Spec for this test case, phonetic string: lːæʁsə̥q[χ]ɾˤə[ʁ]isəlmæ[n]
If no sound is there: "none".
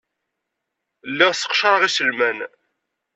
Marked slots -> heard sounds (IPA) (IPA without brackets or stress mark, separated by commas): ʃ, ʁ, n